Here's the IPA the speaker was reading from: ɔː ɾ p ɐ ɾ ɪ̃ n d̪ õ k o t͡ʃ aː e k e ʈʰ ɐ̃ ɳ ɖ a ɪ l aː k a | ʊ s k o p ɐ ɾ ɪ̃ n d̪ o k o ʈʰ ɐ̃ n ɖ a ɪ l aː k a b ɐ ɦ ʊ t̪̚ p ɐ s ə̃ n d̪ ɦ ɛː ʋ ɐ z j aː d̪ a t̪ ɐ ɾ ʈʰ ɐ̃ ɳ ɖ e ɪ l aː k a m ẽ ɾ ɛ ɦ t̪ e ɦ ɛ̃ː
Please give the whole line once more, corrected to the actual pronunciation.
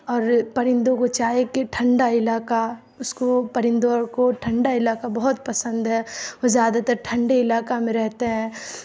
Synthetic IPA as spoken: ɔː ɾ p ɐ ɾ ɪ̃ n d̪ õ k o t͡ʃ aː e k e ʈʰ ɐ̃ ɳ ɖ a ɪ l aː k a | ʊ s k o p ɐ ɾ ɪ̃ n d̪ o k o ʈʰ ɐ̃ ɳ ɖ a ɪ l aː k a b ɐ ɦ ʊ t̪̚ p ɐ s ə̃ n d̪ ɦ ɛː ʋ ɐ z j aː d̪ a t̪ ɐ ɾ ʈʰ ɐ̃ ɳ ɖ e ɪ l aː k a m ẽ ɾ ɛ ɦ t̪ e ɦ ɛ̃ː